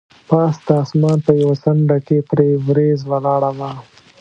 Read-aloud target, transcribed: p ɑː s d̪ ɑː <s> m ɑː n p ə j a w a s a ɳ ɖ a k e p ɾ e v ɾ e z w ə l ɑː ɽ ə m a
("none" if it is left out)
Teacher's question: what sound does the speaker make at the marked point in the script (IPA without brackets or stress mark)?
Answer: s